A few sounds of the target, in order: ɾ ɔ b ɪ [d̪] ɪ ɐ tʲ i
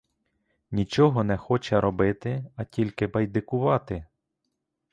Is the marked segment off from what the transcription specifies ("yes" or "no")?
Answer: yes